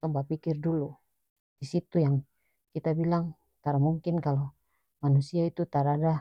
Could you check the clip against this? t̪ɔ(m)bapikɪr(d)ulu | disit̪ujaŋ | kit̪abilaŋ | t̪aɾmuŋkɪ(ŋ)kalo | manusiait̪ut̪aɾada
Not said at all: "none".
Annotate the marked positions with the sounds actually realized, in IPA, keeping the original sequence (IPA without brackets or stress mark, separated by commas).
m, d, n